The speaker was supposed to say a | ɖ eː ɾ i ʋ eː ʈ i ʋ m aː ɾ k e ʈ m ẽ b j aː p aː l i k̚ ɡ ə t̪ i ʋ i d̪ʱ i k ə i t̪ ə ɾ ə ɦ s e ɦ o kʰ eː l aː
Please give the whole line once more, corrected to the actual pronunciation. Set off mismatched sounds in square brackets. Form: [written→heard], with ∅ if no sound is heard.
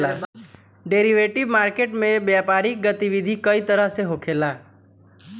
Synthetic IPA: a | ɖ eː ɾ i ʋ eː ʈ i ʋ m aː ɾ k e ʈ m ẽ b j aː p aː [l→ɾ] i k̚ ɡ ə t̪ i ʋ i d̪ʱ i k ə i t̪ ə ɾ ə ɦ s e ɦ o kʰ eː l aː